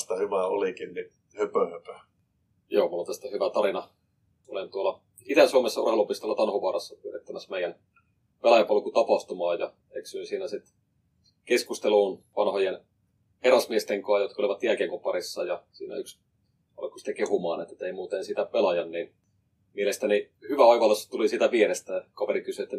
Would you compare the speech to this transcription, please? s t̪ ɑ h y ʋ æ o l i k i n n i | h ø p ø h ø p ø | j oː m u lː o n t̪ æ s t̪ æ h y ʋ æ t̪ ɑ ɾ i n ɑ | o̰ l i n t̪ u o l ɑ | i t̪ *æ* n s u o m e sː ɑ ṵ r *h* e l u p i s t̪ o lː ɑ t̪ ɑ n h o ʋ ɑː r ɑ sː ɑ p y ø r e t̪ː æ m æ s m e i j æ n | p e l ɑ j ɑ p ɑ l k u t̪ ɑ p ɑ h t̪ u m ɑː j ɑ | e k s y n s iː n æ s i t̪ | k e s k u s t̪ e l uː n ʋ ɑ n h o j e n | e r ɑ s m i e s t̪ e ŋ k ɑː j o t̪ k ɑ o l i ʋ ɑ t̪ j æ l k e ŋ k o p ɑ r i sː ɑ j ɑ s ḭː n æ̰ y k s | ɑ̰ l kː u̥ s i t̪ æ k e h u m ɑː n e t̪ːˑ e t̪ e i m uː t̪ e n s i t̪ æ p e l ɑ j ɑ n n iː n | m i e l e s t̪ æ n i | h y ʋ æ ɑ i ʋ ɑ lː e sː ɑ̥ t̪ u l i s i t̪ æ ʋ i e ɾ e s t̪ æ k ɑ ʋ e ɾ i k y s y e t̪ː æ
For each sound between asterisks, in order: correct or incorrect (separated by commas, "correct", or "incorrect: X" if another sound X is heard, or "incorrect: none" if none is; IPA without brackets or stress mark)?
correct, correct